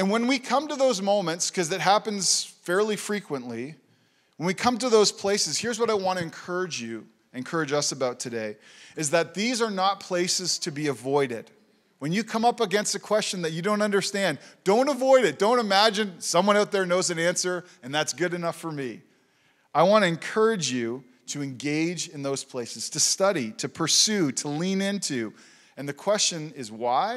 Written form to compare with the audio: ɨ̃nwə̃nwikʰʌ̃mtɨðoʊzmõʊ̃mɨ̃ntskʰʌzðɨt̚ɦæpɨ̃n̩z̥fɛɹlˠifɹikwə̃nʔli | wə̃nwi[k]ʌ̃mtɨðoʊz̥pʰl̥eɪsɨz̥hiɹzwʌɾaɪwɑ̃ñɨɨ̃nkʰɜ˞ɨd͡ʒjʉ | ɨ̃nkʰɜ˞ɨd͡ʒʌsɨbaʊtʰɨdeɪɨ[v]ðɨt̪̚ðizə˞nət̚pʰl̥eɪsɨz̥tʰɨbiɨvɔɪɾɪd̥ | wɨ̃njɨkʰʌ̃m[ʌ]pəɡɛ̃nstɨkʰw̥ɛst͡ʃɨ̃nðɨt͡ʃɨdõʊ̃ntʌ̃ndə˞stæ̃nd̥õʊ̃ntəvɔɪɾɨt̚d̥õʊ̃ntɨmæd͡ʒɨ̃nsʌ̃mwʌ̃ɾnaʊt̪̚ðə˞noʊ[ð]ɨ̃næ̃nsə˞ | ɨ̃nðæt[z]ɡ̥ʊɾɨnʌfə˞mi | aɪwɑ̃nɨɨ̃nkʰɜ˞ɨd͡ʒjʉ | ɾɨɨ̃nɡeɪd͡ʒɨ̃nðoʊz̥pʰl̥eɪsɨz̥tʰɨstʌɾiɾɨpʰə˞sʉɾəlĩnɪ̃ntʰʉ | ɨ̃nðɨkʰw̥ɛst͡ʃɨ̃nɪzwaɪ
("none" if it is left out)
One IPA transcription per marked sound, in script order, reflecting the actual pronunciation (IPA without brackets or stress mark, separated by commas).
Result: kʰ, z, ʌ, z, s